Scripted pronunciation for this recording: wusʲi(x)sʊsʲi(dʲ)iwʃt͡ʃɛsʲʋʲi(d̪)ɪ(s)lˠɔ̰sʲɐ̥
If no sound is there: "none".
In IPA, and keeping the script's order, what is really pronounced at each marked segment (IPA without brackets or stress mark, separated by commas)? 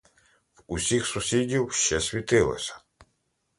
x, dʲ, t̪, none